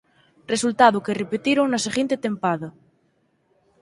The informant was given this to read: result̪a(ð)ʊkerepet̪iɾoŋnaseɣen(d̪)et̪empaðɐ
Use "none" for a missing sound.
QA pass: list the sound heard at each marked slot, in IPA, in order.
ð, t̪

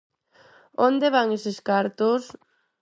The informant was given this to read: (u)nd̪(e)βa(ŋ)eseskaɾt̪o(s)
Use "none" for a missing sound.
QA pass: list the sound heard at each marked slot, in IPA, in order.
o, e, ŋ, s

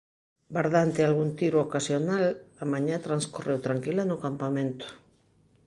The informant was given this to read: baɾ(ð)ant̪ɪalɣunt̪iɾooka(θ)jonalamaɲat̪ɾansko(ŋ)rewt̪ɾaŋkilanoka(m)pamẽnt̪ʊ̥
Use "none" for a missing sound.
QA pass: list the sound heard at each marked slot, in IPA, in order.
ð, s, none, m

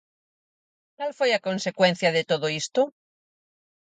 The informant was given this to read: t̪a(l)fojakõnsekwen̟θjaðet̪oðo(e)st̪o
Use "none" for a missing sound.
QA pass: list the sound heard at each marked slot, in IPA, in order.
l, i

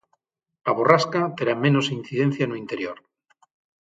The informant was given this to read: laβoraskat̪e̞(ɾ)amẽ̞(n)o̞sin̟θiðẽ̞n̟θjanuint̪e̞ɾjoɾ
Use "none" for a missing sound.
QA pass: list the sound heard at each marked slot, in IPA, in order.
ɾ, n

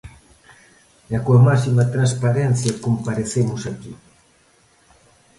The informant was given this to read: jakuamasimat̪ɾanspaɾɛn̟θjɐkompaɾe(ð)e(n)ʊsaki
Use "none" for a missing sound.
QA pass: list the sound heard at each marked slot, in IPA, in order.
θ, m

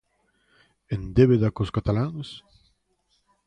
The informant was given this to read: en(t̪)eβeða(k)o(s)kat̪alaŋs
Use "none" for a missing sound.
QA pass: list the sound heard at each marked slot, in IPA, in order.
d̪, k, s

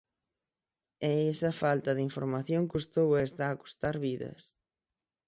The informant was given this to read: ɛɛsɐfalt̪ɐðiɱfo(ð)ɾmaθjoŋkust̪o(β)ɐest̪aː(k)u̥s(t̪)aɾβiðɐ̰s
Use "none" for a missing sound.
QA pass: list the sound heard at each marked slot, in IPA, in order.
none, w, k, t̪

